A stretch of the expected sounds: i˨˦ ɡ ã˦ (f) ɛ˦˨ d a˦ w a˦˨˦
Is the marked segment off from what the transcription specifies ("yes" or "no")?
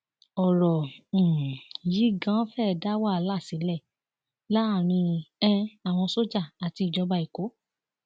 no